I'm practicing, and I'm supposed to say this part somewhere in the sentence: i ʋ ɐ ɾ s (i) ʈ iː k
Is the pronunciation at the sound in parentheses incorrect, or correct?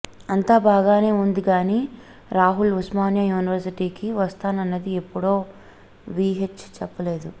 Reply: correct